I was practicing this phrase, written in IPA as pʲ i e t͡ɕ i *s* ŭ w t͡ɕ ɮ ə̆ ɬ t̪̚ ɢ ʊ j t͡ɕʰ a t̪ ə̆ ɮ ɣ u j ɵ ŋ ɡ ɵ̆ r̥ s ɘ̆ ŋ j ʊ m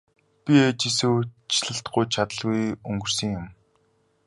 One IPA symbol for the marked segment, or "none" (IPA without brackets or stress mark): s